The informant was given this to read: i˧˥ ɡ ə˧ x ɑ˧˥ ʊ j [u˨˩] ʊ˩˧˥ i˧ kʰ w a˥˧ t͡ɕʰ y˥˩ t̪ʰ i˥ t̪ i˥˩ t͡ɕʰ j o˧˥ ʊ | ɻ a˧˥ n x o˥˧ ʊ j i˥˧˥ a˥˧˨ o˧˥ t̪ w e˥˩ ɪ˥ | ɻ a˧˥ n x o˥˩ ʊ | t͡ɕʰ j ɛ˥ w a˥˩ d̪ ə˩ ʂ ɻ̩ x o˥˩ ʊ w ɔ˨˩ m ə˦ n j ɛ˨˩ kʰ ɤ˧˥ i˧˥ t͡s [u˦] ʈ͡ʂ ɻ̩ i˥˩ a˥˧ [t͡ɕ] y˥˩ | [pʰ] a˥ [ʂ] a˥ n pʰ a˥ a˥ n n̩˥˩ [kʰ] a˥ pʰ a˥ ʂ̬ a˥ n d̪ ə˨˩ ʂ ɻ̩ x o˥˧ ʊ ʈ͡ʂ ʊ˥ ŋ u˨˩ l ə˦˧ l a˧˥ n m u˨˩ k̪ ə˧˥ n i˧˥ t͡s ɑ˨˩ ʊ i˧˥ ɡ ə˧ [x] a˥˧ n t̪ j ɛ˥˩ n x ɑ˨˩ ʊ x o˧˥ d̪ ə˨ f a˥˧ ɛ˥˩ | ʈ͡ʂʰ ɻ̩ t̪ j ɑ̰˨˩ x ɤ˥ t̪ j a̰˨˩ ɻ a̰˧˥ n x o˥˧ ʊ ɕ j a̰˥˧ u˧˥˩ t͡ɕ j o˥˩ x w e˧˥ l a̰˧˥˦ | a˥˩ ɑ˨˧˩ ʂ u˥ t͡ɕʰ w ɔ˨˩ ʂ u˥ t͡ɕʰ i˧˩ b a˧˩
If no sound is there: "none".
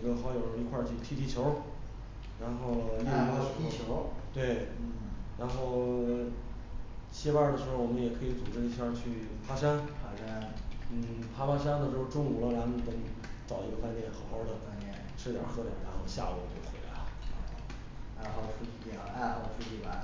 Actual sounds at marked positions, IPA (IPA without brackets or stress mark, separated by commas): o˨˩, u˨˩, t͡ɕʰ, pʰ, ʂ, pʰ, f